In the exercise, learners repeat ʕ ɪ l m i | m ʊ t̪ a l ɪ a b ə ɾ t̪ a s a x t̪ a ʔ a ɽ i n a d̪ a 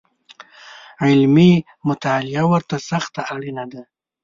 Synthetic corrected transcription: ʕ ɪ l m i | m ʊ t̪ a l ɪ a w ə ɾ t̪ a s a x t̪ a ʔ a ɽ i n a d̪ a